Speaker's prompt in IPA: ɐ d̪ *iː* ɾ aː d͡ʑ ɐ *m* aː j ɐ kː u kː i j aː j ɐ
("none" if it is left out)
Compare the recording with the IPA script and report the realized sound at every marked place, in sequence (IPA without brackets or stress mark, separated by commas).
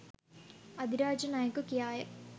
i, n